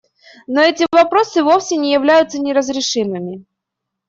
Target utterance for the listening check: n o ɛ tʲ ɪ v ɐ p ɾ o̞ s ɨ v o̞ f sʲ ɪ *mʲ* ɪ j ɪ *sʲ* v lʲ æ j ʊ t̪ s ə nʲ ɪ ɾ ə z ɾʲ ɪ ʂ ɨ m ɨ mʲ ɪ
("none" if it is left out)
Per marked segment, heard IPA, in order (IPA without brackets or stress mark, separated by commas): nʲ, none